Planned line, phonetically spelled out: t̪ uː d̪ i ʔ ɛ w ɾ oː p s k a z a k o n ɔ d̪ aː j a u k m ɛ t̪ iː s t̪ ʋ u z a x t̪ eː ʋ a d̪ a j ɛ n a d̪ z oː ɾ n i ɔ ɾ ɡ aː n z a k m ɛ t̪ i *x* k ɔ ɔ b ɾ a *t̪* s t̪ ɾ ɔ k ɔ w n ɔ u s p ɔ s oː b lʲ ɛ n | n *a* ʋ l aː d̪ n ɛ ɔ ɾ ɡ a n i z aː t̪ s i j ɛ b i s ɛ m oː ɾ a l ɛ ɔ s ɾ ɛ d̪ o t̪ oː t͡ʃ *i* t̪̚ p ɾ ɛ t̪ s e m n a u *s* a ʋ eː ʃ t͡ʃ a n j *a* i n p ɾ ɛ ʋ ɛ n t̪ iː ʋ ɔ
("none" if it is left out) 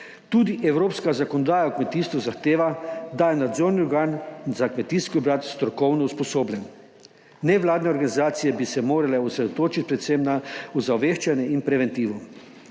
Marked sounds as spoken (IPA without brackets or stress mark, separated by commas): s, t̪, ɛ, i, z, ɛ